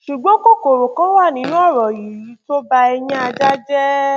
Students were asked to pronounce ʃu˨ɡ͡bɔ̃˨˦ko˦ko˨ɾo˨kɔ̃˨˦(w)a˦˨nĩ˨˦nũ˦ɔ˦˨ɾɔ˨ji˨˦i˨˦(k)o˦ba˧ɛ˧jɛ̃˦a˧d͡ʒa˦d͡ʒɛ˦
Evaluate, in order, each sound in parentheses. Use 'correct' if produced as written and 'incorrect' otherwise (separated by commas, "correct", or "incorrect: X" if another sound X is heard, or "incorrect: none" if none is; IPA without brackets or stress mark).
correct, incorrect: t